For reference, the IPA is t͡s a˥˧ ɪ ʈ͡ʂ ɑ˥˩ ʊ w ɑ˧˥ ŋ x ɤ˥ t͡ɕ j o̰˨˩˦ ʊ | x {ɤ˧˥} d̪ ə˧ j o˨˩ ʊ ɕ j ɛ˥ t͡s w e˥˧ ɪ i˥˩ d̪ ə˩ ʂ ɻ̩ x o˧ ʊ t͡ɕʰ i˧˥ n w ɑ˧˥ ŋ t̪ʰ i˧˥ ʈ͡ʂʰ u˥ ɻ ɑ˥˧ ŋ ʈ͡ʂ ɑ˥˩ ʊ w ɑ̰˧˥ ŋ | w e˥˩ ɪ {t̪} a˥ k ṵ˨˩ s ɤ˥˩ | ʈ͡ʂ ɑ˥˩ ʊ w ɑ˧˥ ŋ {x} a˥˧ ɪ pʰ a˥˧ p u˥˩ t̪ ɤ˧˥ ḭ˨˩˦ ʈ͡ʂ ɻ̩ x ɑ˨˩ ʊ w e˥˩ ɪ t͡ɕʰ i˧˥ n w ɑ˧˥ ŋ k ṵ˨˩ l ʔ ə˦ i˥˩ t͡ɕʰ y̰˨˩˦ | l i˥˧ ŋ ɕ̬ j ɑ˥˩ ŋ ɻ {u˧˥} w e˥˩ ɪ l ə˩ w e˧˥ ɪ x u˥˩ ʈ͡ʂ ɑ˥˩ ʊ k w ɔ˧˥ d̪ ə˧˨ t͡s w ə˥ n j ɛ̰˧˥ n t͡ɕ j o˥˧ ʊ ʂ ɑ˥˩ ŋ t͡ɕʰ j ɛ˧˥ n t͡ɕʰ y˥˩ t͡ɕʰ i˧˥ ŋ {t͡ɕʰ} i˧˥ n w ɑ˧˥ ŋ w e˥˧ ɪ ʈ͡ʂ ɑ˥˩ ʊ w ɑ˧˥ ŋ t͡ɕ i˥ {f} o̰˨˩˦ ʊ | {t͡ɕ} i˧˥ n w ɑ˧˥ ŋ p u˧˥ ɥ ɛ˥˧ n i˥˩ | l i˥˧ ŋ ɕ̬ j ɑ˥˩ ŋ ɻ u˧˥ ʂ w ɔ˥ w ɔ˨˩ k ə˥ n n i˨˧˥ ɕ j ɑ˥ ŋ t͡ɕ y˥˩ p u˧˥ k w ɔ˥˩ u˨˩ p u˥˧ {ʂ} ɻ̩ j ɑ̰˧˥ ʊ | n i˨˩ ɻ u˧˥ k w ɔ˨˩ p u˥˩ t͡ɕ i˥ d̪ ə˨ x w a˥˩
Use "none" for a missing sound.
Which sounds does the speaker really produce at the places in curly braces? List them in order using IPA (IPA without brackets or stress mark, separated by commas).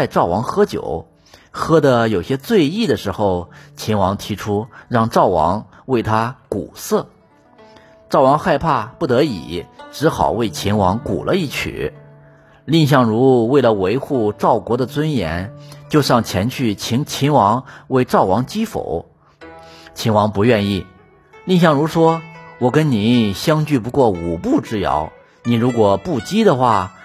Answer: ɤ˥, t̪ʰ, x, u˧˥, t͡ɕʰ, f, t͡ɕʰ, ʈ͡ʂ